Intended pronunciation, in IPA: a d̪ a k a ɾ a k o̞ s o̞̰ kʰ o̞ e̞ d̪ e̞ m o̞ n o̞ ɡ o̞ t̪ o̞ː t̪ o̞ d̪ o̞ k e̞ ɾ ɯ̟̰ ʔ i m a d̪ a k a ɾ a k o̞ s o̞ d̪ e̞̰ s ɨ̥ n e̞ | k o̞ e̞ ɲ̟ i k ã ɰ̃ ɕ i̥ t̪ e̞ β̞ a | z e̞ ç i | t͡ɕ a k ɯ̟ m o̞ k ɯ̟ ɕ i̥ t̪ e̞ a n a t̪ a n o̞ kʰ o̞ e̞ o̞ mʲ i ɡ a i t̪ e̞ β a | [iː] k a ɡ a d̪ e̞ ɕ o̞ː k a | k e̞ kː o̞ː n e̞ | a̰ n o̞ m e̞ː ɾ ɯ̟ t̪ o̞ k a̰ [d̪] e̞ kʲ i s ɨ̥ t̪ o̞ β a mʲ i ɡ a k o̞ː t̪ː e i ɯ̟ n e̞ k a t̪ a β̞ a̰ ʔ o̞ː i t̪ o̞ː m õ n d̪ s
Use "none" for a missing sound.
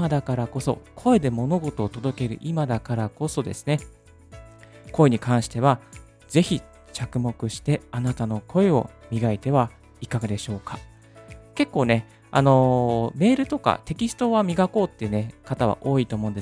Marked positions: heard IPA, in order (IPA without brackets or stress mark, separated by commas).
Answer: i, t̪